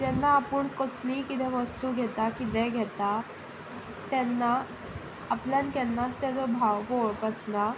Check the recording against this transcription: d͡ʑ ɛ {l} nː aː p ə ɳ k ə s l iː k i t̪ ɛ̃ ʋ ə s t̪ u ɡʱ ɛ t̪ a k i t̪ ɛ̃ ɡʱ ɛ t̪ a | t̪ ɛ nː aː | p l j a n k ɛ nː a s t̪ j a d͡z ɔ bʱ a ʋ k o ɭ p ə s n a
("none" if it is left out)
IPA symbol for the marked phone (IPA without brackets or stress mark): none